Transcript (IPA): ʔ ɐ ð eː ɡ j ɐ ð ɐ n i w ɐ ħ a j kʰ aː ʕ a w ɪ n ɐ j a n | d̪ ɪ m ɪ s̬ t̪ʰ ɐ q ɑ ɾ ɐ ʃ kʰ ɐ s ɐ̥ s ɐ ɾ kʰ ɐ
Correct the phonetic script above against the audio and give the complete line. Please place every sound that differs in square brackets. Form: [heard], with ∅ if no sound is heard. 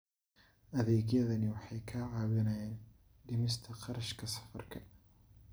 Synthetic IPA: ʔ ɐ ð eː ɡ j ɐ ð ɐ n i w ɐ ħ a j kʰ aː ʕ a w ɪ n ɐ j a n | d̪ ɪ m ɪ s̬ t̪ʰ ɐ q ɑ ɾ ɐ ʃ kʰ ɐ s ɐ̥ [f] ɐ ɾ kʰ ɐ